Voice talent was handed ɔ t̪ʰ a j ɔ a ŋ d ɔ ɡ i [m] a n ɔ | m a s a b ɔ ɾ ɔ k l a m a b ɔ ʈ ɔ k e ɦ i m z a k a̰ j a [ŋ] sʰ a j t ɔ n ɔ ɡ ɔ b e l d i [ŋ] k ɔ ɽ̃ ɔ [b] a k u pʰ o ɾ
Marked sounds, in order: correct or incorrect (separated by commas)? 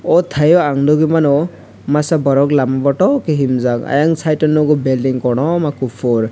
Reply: correct, correct, correct, incorrect